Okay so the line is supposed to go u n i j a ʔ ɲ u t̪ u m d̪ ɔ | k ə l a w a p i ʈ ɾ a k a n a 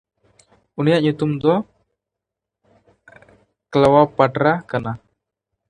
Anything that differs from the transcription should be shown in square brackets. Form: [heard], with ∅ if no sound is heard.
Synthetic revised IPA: u n i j a ʔ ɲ u t̪ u m d̪ ɔ | k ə l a w a p [a] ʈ ɾ a k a n a